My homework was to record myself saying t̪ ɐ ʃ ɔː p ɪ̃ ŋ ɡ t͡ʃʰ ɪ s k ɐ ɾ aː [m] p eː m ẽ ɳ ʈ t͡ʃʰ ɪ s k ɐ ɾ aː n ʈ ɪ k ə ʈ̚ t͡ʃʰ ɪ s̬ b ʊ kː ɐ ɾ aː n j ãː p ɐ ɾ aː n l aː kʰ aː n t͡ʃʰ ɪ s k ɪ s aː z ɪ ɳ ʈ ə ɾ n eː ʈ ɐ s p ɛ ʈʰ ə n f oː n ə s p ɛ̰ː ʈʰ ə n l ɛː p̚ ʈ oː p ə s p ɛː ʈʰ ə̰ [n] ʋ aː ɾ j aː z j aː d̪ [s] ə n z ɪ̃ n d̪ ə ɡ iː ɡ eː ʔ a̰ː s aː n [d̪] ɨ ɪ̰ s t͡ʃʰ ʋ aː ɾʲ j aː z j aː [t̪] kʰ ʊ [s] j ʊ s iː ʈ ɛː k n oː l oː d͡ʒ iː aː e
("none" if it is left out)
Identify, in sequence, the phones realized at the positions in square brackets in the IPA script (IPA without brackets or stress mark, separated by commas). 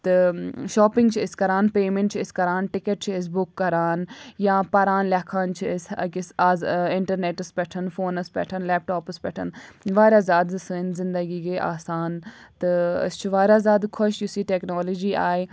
n, n, s, t̪, d̪, ʃ